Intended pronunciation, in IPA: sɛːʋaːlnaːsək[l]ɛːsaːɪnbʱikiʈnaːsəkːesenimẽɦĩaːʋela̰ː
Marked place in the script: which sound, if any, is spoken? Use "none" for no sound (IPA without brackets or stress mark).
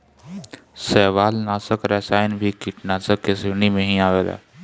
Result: ɾ